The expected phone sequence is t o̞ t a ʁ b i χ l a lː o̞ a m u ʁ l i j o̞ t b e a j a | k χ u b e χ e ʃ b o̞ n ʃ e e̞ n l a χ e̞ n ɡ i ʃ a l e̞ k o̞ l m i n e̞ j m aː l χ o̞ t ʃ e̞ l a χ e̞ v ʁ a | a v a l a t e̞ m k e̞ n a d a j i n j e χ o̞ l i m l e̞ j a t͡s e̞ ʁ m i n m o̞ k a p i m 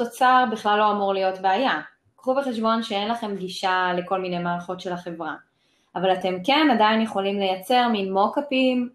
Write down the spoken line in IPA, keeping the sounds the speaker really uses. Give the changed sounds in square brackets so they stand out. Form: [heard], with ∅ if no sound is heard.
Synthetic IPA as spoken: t o̞ [t͡s] a ʁ b i χ l a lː o̞ a m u ʁ l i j o̞ t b e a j a | k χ u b e χ e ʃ b o̞ n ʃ e e̞ n l a χ e̞ [m] ɡ i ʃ a l e̞ k o̞ l m i n e̞ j m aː l χ o̞ t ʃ e̞ l a χ e̞ v ʁ a | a v a l a t e̞ m k e̞ n a d a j i n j e χ o̞ l i m l e̞ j a t͡s e̞ ʁ m i n m o̞ k a p i m